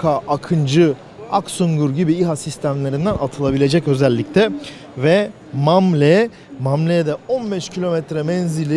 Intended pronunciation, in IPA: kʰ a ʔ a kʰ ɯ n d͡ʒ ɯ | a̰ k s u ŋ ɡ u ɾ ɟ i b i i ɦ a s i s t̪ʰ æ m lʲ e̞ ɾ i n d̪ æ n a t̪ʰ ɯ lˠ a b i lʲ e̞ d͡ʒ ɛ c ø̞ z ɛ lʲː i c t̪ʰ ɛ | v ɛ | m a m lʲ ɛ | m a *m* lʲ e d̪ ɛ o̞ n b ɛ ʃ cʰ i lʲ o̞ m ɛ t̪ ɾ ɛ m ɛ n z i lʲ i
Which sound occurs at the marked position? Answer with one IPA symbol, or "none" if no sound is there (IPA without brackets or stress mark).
m